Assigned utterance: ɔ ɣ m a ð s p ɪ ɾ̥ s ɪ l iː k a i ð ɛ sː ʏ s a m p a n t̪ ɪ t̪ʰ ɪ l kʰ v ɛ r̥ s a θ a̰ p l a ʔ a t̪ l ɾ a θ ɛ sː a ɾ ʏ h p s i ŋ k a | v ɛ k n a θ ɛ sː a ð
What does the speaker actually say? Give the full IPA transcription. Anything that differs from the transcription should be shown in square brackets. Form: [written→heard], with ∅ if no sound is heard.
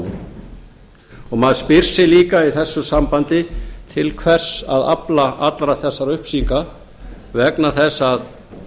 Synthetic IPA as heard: ɔ ɣ m a ð s p ɪ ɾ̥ s ɪ l iː k a i [ð→θ] ɛ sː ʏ s a m p a n t̪ ɪ t̪ʰ ɪ l kʰ v ɛ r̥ s a [θ→ð] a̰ p l a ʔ a t̪ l ɾ a θ ɛ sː a ɾ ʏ h p s i ŋ k a | v ɛ k n a θ ɛ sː a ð